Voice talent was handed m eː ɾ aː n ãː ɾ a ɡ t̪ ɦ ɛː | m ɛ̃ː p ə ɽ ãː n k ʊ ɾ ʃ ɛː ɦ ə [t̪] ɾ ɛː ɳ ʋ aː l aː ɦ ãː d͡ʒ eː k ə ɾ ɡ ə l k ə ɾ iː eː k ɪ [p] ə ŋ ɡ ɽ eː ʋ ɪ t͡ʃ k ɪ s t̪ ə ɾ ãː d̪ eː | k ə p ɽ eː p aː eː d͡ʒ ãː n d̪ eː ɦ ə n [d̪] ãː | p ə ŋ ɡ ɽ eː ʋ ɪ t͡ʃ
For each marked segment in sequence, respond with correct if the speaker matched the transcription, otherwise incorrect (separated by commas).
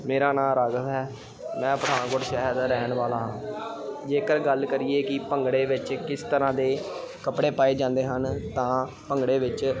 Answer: incorrect, correct, incorrect